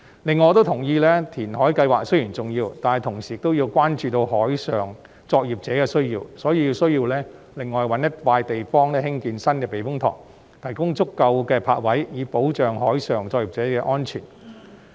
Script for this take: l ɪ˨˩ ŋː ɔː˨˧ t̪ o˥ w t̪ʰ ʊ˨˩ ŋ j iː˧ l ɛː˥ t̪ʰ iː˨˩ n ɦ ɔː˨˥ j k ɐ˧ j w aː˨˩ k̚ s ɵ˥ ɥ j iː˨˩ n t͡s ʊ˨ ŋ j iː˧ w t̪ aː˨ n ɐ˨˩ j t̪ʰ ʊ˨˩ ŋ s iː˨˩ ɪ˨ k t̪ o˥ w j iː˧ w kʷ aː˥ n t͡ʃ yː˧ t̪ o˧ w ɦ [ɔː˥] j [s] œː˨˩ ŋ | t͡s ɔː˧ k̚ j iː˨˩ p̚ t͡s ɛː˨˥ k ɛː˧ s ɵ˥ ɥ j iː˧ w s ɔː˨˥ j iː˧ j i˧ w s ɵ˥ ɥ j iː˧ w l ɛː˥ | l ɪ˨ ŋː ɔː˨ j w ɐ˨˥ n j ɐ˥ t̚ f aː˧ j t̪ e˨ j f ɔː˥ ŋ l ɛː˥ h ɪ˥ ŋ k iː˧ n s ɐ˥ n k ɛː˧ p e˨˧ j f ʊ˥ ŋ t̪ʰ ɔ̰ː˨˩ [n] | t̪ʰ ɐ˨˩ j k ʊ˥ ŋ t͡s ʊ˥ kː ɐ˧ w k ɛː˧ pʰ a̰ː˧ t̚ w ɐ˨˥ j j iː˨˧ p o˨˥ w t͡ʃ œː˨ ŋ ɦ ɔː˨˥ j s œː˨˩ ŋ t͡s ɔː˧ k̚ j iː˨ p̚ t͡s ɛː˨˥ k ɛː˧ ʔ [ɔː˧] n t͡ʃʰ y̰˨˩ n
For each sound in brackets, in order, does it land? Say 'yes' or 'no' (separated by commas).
no, yes, no, no